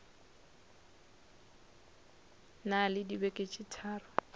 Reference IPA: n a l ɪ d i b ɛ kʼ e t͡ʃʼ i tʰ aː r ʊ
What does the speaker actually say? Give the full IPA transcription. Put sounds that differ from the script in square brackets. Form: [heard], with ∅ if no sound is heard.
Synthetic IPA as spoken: n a l ɪ d i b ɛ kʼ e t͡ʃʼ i tʰ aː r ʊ